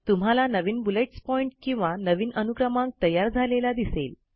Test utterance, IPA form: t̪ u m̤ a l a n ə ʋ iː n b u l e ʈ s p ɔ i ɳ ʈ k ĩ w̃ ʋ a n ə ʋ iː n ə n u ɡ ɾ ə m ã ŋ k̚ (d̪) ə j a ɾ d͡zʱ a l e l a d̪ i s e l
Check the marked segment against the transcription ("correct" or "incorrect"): incorrect